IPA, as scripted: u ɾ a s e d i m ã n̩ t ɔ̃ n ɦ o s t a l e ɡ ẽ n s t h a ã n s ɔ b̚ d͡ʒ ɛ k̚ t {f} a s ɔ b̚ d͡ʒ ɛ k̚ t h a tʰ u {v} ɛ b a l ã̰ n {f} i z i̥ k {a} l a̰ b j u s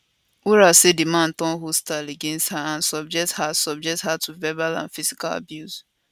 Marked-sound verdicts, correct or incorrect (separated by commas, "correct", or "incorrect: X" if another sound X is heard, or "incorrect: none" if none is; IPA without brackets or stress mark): incorrect: h, correct, correct, correct